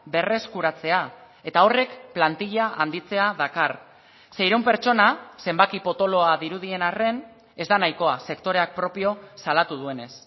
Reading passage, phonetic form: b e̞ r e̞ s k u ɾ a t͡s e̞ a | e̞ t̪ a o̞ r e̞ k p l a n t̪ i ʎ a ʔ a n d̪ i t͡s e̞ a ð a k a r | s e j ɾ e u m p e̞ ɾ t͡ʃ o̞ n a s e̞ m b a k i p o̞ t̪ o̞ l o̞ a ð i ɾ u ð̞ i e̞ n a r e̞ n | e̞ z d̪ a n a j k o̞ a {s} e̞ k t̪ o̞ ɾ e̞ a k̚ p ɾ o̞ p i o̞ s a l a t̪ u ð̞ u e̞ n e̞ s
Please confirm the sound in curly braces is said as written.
yes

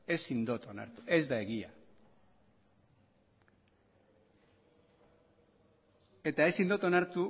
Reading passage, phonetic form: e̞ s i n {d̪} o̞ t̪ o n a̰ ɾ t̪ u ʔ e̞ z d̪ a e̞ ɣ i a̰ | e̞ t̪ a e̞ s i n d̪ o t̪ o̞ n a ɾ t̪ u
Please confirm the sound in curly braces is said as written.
yes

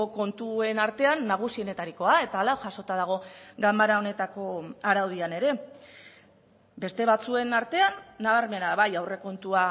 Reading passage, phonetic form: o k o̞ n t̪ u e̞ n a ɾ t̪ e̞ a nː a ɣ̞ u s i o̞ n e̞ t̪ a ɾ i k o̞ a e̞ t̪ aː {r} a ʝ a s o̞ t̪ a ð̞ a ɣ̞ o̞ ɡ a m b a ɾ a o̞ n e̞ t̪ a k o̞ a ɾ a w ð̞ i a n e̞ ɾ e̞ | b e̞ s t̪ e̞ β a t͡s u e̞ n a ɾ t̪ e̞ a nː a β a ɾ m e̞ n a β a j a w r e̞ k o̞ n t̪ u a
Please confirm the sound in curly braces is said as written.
no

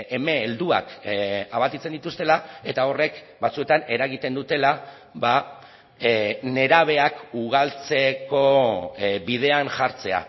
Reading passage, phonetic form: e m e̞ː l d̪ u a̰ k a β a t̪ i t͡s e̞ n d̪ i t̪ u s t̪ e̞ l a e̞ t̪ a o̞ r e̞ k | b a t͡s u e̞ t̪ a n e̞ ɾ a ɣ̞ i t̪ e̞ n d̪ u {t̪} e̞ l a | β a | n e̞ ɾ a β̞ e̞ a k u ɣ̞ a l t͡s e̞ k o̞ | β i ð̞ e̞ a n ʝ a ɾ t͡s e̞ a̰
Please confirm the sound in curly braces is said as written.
yes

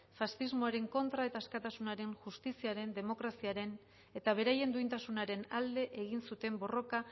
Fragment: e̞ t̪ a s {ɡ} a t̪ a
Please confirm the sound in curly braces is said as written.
no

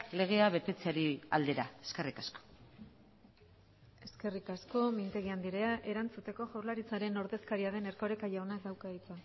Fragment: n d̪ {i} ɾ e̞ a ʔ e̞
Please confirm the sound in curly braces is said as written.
yes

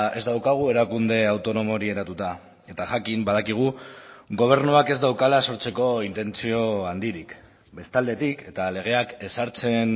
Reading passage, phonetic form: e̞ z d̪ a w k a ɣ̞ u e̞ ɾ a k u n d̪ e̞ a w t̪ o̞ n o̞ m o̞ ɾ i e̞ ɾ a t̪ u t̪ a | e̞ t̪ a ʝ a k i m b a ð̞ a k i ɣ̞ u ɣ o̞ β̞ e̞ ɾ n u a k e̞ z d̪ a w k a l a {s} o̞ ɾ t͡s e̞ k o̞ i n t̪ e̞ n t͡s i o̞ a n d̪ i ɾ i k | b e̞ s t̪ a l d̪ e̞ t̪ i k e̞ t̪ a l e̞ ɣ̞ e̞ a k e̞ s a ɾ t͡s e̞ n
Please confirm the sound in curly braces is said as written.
yes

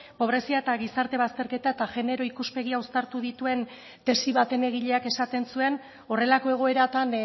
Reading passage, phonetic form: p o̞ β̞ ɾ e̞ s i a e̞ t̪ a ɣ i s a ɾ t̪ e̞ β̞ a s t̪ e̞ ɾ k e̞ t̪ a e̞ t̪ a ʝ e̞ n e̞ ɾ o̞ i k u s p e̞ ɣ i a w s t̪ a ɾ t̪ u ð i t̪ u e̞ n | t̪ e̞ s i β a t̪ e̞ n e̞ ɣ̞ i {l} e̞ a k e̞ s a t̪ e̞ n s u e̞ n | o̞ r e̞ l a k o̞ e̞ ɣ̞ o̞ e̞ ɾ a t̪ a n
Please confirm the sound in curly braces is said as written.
no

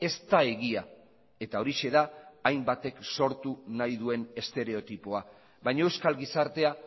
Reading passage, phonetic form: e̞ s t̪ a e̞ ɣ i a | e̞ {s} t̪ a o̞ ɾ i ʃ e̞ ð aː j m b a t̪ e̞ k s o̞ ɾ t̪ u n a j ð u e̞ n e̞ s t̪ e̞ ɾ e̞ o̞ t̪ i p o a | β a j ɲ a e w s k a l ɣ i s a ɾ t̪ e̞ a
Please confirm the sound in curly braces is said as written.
no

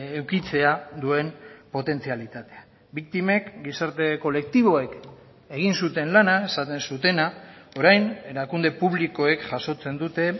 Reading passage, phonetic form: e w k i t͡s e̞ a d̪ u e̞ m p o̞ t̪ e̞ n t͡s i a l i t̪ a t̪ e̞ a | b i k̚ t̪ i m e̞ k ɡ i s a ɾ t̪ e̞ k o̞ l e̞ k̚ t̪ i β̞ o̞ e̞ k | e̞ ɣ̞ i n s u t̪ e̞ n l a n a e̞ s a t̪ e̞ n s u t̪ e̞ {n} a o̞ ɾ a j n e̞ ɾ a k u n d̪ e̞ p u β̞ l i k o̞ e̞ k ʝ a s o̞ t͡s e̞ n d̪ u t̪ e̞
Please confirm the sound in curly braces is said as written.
yes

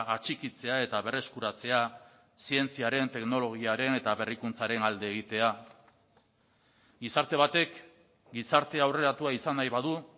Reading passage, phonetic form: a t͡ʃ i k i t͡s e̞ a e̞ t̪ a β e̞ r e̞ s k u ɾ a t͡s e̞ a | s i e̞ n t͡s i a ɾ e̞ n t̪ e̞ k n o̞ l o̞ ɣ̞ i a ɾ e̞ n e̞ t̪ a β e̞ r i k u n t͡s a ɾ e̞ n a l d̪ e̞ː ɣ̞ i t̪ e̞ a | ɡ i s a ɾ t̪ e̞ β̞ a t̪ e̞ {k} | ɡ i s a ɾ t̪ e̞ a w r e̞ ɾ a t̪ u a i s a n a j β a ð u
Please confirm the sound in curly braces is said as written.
yes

